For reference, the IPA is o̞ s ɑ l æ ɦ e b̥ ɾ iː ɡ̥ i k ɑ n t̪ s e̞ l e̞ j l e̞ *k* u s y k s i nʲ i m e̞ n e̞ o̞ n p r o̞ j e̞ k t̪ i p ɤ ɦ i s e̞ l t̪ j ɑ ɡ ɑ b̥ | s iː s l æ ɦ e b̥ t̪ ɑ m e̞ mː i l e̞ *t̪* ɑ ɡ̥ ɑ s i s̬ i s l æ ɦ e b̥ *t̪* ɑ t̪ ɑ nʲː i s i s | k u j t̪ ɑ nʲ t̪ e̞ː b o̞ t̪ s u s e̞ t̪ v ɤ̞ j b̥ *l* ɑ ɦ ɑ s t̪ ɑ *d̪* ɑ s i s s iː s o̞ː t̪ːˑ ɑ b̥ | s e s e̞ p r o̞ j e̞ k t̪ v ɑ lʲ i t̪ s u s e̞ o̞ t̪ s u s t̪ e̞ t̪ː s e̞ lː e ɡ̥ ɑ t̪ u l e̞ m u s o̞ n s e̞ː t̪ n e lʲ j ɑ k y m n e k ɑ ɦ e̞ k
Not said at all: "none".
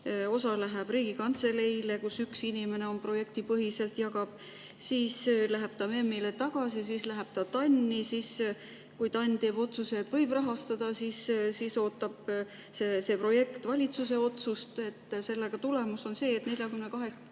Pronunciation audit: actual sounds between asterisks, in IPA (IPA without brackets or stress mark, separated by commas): k, t̪, t̪, r, d̪